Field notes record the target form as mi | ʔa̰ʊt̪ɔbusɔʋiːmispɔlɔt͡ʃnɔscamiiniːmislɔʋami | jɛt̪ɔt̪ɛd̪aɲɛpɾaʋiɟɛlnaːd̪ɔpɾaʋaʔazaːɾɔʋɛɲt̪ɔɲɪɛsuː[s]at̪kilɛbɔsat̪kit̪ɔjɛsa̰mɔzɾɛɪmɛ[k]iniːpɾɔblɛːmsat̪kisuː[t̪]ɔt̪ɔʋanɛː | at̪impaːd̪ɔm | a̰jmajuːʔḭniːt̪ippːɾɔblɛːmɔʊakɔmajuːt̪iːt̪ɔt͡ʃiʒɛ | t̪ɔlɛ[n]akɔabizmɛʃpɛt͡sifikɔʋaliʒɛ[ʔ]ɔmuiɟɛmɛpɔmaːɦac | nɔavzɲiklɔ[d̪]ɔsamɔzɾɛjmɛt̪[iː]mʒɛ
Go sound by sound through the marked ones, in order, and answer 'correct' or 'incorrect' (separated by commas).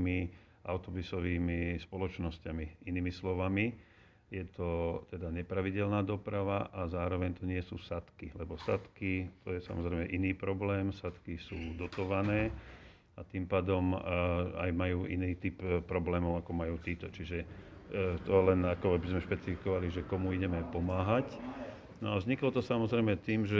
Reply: correct, incorrect, incorrect, correct, incorrect, incorrect, correct